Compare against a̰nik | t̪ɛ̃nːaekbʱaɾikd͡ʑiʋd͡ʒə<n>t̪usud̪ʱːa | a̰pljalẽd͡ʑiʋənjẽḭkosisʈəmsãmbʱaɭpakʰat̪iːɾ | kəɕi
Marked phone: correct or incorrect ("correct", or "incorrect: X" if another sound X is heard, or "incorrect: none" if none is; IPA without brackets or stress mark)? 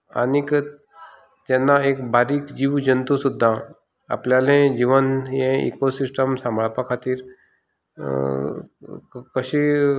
correct